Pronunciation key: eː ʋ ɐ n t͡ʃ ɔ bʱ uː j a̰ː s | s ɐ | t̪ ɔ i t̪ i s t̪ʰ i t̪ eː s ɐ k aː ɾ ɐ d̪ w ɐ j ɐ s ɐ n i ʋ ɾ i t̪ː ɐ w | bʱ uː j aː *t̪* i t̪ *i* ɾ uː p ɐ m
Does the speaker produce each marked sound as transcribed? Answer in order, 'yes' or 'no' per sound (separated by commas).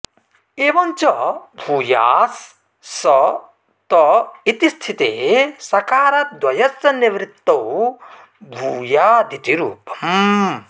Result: no, yes